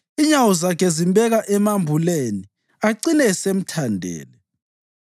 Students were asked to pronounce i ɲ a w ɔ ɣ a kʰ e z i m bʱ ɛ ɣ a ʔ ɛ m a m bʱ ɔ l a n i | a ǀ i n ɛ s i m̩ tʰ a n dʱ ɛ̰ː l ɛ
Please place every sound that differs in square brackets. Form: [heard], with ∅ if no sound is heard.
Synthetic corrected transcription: i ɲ a w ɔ [z] a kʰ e z i m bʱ ɛ ɣ a ʔ ɛ m a m bʱ [u] l [e] n i | a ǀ i n ɛ s [e] m̩ tʰ a n dʱ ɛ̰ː l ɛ